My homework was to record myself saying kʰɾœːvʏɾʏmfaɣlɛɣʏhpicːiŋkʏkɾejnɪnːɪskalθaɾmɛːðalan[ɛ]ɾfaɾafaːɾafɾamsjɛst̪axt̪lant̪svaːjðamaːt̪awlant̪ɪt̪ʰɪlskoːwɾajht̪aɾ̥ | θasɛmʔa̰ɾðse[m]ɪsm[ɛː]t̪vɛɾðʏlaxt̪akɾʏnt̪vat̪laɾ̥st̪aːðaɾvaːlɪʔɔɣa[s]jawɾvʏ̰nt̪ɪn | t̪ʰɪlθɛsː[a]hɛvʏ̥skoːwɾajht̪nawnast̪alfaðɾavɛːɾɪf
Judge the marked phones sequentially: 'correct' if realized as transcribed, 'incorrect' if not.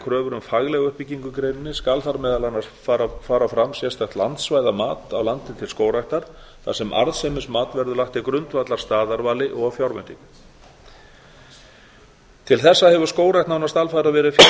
incorrect: a, correct, incorrect: aː, incorrect: f, correct

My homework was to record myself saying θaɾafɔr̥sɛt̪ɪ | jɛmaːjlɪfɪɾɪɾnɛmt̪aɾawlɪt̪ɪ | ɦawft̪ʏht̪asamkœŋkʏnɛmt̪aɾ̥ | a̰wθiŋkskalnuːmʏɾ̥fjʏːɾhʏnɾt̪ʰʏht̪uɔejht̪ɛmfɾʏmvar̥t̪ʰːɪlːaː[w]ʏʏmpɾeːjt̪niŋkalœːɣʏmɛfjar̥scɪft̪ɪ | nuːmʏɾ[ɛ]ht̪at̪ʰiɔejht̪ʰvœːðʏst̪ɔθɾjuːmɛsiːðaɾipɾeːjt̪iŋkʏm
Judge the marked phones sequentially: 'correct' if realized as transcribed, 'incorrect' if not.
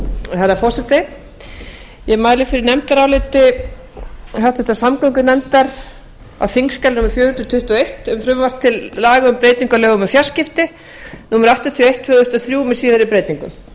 incorrect: ɣ, incorrect: a

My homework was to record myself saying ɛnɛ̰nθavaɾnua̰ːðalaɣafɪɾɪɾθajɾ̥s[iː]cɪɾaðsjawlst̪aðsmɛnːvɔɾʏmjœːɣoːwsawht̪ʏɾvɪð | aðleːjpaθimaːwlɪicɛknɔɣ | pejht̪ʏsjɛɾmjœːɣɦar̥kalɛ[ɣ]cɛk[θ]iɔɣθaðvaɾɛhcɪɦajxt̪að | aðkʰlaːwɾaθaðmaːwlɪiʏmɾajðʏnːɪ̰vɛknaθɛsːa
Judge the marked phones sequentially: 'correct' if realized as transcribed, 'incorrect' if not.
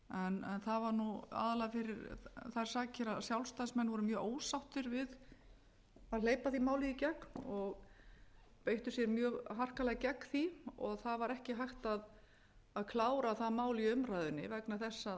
incorrect: aː, correct, correct

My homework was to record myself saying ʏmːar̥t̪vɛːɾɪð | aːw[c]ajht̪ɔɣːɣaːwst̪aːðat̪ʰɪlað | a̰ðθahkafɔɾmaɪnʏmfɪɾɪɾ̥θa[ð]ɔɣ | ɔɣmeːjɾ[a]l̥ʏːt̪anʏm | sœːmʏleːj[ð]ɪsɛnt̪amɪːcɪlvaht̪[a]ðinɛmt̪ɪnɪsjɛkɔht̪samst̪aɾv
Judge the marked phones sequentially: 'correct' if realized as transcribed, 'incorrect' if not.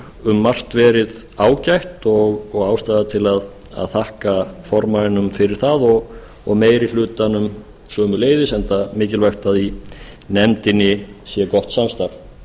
correct, correct, incorrect: i, correct, correct

